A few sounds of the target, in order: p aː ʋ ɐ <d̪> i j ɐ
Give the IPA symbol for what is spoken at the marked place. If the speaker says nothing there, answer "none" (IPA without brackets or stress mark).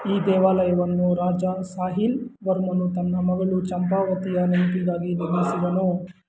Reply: t̪